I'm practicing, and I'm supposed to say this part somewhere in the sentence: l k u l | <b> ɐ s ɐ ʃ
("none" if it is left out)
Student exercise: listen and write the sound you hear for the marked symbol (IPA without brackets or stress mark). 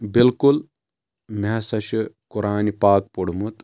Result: m